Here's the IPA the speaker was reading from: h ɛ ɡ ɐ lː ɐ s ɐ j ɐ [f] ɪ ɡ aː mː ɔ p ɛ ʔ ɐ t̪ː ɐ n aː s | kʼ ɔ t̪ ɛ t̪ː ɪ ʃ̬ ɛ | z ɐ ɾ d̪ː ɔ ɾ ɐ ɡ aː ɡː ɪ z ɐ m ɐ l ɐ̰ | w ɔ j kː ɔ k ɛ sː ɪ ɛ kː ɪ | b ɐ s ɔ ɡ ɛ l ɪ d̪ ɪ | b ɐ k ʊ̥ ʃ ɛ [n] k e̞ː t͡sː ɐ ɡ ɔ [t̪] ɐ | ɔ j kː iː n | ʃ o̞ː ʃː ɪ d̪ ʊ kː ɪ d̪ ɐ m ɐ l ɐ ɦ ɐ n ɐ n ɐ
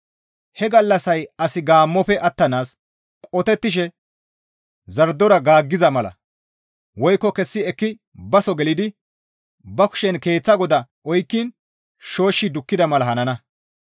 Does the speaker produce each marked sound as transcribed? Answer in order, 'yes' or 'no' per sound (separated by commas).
no, yes, no